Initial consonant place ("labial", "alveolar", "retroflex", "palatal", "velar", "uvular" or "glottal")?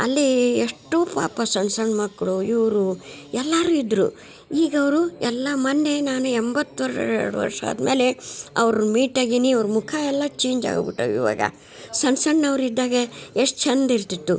alveolar